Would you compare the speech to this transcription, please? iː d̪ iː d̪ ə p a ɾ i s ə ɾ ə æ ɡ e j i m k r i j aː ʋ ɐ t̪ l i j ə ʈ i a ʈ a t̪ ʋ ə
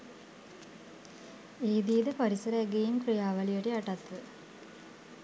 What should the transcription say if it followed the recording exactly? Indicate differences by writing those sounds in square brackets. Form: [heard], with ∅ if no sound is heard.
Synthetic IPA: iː d̪ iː d̪ ə p a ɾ i s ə ɾ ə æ ɡ e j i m k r i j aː ʋ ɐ [∅] l i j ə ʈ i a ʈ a t̪ ʋ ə